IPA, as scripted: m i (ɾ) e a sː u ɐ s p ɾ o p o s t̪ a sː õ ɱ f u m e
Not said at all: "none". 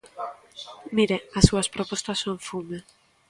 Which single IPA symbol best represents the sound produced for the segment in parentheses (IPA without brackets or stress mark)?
ɾ